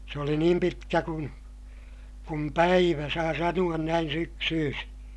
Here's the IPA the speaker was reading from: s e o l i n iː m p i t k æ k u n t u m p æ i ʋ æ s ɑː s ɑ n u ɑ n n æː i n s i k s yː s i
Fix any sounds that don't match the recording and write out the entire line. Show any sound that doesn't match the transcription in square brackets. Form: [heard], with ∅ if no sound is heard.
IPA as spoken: s e o l i n iː m p i t k æ k u n [k] u m p æ i ʋ æ s ɑː s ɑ n u ɑ n n [æ] i n s [y] k s yː s i